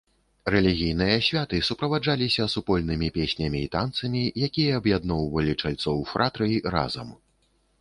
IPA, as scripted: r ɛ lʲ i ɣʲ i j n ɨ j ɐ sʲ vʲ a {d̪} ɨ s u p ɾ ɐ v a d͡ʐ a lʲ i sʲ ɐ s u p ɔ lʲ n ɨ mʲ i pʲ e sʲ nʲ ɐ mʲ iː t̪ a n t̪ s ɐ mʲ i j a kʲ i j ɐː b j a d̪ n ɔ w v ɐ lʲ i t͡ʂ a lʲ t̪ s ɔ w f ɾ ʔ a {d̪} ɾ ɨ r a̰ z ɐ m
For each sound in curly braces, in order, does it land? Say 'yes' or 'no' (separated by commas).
no, no